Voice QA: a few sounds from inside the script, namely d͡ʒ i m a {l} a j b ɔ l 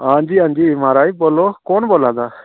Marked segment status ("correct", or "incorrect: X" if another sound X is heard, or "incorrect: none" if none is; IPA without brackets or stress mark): incorrect: ɾ